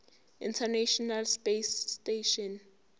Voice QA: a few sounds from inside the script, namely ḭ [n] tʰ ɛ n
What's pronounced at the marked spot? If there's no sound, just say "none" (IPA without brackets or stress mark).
n